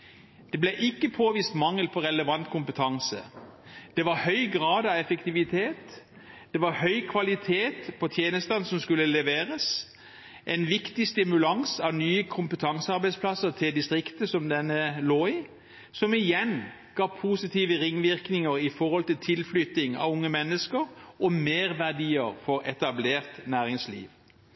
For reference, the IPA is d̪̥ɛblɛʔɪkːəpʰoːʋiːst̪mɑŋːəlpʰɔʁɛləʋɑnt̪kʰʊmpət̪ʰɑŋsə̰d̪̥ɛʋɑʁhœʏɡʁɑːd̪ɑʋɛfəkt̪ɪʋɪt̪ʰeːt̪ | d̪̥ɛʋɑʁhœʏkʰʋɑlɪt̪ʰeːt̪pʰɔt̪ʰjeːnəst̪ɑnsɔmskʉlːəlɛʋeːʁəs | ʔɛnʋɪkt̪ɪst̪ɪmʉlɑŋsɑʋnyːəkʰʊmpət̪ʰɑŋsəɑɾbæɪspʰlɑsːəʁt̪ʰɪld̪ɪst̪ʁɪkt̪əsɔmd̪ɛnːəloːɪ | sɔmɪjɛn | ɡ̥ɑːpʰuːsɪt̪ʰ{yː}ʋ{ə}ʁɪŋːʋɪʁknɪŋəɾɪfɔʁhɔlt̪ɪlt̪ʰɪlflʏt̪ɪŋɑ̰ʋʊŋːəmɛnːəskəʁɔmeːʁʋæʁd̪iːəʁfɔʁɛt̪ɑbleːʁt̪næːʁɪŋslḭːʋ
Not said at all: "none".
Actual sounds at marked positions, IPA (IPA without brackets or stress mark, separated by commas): iː, ə